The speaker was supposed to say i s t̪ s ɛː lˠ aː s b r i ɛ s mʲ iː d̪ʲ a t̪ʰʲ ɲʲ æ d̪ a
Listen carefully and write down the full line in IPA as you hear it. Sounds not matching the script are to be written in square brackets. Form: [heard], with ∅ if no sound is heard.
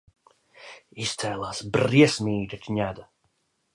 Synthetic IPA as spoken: i s t̪ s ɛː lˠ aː s b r i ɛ s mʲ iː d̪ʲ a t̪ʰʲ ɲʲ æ d̪ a